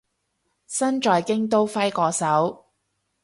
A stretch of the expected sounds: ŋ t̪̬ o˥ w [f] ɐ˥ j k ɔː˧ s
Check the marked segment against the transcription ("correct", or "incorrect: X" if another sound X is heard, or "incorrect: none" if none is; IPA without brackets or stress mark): correct